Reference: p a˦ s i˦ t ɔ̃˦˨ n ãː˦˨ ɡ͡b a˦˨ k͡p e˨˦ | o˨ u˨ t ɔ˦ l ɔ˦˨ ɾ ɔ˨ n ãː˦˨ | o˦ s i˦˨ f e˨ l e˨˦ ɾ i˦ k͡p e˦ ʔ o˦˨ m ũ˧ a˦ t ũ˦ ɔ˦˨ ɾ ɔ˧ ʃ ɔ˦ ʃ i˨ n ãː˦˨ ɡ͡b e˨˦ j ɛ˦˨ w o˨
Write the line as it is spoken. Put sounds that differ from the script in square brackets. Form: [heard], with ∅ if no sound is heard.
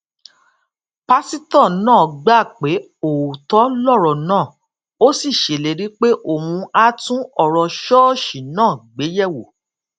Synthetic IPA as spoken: p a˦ s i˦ t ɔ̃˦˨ n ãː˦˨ ɡ͡b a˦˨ k͡p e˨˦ | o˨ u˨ t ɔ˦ l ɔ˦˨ ɾ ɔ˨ n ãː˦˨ | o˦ s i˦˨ [ʃ] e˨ l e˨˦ ɾ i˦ k͡p e˦ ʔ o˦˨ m ũ˧ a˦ t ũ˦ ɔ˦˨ ɾ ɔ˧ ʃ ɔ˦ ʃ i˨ n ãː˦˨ ɡ͡b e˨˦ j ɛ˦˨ w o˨